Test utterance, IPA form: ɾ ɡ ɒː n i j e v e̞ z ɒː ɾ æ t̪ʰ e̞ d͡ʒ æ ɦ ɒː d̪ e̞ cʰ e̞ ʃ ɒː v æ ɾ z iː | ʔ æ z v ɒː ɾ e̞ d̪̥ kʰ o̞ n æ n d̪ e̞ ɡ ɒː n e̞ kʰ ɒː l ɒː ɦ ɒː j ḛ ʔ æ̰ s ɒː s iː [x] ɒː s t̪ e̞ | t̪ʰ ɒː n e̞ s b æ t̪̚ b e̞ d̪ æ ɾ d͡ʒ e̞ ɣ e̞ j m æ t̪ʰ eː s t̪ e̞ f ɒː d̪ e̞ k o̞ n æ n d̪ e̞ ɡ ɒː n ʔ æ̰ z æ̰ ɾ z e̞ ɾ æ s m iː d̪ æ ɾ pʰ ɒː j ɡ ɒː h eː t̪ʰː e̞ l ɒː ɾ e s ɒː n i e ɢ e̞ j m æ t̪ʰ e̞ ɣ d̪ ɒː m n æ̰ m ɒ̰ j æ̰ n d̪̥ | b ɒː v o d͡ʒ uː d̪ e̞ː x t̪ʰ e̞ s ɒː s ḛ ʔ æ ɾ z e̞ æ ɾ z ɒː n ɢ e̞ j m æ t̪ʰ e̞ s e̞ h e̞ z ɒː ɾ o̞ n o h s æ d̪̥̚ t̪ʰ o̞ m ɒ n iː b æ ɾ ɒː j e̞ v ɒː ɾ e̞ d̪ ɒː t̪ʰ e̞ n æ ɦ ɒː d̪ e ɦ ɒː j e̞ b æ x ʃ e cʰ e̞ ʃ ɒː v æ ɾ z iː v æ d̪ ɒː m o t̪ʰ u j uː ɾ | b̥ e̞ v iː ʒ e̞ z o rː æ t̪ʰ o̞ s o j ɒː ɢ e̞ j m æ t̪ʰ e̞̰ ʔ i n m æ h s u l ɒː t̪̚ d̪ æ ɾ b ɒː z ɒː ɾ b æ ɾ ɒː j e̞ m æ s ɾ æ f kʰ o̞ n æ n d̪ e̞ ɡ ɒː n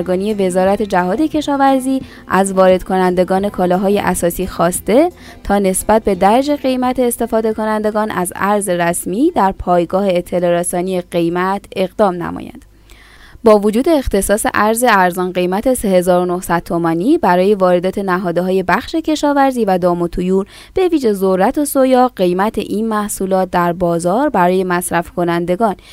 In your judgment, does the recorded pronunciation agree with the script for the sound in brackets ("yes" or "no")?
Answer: yes